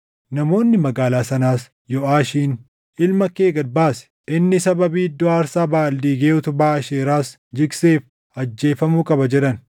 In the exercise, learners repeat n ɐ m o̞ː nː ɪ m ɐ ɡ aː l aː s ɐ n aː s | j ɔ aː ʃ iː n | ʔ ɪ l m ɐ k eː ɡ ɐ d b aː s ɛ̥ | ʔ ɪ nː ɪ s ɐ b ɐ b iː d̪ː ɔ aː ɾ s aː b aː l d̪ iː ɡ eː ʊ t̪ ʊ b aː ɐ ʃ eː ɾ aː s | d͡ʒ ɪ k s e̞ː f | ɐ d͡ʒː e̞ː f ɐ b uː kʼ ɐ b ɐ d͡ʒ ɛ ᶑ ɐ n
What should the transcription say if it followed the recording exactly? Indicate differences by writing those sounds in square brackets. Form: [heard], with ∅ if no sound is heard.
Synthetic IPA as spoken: n ɐ m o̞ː nː ɪ m ɐ ɡ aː l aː s ɐ n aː s | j ɔ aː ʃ iː n | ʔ ɪ l m ɐ k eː ɡ ɐ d b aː s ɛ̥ | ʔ ɪ nː ɪ s ɐ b ɐ b iː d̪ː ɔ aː ɾ s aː b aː l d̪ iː ɡ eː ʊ t̪ ʊ b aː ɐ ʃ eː ɾ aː s | d͡ʒ ɪ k s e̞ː f | ɐ d͡ʒː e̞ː f ɐ [m] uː kʼ ɐ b ɐ d͡ʒ ɛ ᶑ ɐ n